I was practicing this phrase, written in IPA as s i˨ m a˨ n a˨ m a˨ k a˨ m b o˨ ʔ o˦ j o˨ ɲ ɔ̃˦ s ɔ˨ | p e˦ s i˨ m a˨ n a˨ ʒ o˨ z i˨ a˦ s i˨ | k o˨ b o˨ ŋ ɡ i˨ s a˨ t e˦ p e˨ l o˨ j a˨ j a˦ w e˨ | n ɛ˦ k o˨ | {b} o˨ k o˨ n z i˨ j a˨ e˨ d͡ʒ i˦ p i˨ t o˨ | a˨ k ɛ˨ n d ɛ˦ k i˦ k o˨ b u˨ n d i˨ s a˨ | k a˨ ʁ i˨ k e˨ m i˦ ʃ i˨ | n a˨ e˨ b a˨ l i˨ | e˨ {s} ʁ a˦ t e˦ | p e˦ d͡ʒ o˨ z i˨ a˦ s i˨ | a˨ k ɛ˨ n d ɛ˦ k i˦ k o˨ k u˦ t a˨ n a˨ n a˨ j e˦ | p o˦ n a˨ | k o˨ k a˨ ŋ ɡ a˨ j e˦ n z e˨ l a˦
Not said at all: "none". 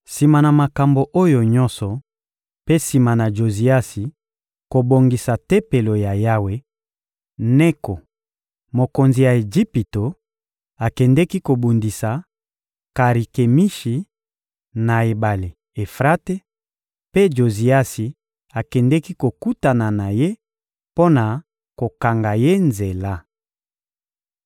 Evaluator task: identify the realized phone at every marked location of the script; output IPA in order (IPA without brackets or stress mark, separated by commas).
m, f